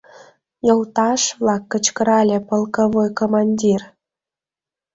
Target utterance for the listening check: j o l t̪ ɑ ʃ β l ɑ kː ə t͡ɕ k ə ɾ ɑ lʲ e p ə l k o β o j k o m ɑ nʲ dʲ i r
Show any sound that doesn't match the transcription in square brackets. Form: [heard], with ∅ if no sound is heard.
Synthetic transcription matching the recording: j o l t̪ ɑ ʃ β l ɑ kː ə t͡ɕ k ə ɾ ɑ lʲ e p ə l k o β o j k o m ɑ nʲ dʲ i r